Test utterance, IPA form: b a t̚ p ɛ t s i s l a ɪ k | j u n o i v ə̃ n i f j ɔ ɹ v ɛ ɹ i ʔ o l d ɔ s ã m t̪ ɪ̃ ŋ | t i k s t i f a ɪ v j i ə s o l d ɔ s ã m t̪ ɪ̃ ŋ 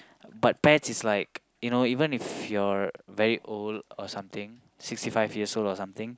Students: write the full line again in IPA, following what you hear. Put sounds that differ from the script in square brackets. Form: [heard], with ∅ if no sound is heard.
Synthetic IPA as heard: b a t̚ p ɛ t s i s l a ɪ k | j u n o i v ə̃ n i f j ɔ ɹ v ɛ ɹ i ʔ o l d ɔ s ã m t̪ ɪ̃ ŋ | [s] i k s t i f a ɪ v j i ə s o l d ɔ s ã m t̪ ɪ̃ ŋ